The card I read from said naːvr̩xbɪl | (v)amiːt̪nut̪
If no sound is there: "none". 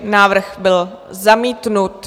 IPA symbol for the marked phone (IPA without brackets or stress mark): z